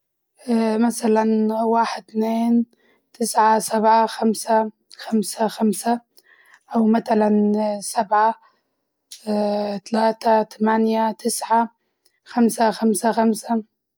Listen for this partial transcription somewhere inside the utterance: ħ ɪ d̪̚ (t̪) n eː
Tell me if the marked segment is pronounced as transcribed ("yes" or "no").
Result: yes